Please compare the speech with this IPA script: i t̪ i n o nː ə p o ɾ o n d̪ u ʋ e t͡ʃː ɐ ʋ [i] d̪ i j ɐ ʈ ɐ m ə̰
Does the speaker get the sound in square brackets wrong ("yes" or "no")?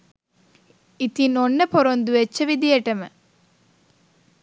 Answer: no